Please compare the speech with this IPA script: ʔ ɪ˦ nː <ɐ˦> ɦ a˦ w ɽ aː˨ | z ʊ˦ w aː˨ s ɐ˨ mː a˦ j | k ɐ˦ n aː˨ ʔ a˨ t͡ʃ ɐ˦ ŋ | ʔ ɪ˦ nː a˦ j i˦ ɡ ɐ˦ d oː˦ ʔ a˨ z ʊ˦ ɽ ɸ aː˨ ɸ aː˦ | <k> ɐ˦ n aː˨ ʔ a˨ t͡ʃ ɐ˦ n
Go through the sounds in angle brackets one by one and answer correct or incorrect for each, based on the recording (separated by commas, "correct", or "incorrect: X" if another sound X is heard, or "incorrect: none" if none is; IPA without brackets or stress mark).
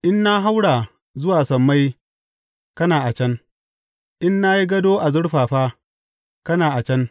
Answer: incorrect: a˦, correct